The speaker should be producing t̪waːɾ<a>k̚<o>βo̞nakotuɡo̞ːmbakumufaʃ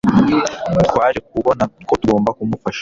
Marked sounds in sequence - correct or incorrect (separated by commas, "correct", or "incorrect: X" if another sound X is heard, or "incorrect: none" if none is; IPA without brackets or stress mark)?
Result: incorrect: e, incorrect: u